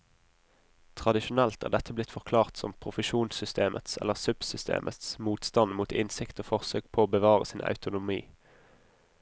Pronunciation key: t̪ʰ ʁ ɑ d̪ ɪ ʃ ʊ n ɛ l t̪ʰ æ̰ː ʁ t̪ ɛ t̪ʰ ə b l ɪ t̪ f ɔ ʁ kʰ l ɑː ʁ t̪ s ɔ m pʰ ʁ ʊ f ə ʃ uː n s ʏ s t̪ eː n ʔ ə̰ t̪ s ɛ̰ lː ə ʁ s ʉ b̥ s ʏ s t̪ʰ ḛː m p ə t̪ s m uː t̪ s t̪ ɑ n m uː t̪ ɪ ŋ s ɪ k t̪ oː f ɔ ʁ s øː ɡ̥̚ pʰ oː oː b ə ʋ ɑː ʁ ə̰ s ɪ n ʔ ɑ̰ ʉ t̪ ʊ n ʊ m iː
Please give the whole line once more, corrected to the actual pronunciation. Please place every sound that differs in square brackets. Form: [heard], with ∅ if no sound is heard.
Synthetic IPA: t̪ʰ ʁ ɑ d̪ ɪ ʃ ʊ n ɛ l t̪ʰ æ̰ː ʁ [d̪] ɛ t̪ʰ ə b l ɪ t̪ f ɔ ʁ kʰ l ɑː ʁ t̪ s ɔ m pʰ ʁ ʊ f ə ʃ uː n s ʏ s t̪ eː [m] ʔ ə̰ t̪ s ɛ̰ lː ə ʁ s ʉ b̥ s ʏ s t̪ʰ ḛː m [ʔ] ə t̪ s m uː t̪ s t̪ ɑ n m uː t̪ ɪ [n] s ɪ k t̪ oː f ɔ ʁ s øː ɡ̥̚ pʰ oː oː b ə ʋ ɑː ʁ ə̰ s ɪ n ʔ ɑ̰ ʉ t̪ ʊ n ʊ m iː